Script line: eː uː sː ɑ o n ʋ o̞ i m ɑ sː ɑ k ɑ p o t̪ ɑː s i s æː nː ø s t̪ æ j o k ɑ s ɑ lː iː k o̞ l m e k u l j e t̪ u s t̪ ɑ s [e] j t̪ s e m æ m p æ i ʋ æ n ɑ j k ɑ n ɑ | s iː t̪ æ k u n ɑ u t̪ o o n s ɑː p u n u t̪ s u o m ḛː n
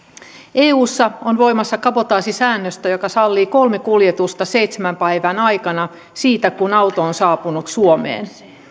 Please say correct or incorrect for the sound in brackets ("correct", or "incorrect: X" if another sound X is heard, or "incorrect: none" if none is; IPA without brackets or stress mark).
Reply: correct